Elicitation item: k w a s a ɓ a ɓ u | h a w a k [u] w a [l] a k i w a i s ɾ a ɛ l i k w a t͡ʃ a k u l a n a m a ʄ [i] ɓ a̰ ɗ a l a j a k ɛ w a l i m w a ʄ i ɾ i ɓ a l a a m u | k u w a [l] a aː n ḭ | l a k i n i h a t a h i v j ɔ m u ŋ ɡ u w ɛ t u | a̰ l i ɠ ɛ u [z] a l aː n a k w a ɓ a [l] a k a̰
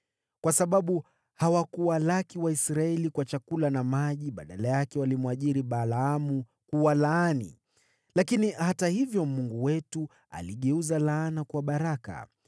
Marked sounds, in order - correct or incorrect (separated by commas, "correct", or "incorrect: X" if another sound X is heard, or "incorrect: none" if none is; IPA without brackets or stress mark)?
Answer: correct, correct, correct, correct, correct, incorrect: ɾ